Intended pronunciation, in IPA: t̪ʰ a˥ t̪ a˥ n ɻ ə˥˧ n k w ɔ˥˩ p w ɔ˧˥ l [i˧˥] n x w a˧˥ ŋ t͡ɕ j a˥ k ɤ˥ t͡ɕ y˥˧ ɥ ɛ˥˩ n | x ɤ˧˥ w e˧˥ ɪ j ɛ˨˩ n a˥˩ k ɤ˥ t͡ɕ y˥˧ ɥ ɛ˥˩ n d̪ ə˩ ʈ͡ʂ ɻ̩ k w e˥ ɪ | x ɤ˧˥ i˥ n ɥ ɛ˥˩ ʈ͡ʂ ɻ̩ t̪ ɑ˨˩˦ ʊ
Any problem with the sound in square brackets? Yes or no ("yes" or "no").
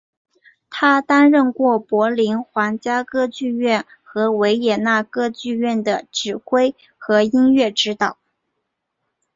no